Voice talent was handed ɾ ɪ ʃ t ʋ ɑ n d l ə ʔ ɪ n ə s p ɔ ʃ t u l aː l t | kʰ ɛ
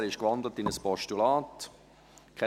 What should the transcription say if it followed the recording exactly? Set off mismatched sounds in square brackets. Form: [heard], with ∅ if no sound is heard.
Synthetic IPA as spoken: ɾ ɪ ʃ [k] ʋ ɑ n d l ə [t] ɪ n ə s p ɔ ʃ t u l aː [∅] t | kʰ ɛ